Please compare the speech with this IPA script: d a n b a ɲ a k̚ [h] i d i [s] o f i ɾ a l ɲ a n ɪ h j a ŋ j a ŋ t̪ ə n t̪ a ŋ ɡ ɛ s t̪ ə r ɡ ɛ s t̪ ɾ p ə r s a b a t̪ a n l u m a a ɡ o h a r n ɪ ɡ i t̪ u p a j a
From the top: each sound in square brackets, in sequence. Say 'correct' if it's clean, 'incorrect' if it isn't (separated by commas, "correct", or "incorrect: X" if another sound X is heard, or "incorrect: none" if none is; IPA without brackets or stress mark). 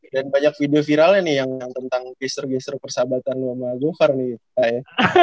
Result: incorrect: f, incorrect: none